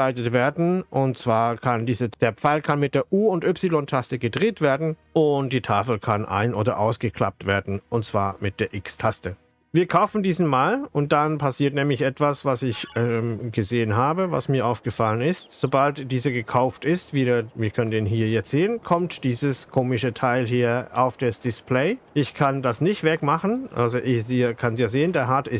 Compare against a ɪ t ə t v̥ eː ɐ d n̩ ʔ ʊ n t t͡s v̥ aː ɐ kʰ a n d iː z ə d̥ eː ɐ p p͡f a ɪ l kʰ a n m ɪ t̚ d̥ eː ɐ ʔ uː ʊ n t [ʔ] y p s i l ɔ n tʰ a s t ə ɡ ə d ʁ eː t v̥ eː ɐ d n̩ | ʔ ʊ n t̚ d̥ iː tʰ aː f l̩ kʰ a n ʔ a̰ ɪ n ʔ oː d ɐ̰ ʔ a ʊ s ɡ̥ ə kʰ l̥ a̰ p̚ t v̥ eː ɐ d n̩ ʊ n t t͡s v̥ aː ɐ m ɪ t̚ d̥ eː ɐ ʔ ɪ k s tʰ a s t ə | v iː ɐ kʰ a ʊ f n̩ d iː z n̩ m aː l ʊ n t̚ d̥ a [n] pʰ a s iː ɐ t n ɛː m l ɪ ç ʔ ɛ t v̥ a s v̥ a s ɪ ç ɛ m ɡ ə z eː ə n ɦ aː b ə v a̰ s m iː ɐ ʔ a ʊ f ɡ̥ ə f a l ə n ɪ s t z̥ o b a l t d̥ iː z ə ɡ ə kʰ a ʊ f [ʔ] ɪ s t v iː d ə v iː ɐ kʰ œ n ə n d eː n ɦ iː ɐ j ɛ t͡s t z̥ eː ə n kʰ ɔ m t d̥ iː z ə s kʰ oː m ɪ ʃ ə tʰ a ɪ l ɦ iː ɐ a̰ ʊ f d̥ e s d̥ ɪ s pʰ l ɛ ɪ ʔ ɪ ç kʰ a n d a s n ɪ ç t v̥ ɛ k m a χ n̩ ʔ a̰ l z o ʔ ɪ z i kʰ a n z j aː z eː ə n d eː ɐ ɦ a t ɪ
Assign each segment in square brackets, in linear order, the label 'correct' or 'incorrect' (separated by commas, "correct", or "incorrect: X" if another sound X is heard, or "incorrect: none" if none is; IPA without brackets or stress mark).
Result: correct, correct, incorrect: t